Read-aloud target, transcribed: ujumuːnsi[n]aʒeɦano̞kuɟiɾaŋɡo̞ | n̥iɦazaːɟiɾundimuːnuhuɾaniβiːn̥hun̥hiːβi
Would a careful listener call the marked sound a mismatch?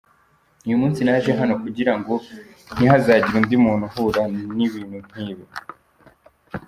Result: no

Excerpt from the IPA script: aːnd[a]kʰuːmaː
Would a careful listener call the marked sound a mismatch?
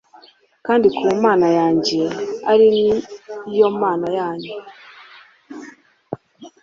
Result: yes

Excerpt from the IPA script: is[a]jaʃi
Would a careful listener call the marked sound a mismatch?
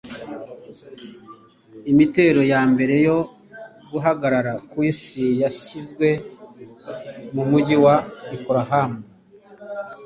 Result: yes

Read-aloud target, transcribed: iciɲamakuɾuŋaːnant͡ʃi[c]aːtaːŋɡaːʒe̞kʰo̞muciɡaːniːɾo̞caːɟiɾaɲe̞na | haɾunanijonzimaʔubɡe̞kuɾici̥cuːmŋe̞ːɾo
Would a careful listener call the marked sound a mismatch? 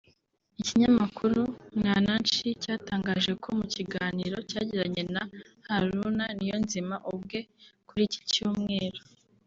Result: no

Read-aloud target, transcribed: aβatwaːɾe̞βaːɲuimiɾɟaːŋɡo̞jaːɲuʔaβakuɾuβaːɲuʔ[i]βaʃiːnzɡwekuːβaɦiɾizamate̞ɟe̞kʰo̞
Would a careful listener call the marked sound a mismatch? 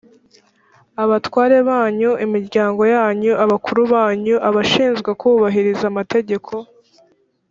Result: yes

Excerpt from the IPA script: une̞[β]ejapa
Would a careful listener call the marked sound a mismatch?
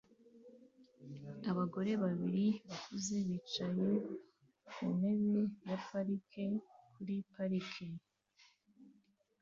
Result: no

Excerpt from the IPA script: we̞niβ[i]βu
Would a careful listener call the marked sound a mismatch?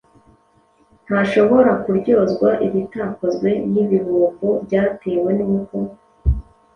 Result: no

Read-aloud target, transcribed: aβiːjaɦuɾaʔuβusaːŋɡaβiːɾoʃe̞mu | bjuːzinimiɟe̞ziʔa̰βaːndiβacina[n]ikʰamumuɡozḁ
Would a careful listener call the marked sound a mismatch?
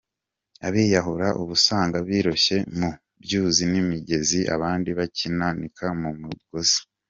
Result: no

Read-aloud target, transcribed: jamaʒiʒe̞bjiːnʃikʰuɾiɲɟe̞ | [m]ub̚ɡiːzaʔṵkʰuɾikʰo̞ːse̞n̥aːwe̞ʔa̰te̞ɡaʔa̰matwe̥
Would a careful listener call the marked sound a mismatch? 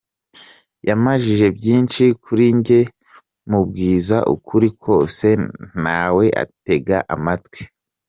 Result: no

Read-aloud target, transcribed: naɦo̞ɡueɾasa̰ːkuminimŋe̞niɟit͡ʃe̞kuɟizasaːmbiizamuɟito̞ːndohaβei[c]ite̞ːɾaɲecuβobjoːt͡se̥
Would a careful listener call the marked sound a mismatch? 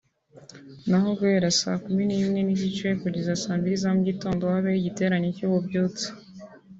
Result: yes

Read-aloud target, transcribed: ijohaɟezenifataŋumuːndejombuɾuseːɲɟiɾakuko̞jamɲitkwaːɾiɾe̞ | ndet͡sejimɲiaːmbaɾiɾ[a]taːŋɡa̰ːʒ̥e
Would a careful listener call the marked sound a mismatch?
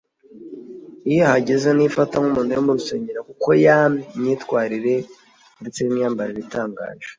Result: yes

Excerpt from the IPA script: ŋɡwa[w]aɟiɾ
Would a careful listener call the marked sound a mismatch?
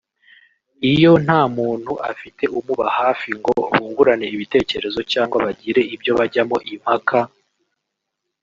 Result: yes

